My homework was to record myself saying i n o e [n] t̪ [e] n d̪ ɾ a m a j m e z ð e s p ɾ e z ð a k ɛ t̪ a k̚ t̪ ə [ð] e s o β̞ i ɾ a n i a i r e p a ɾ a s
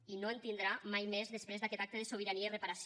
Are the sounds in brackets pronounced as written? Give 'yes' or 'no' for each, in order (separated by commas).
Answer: yes, no, yes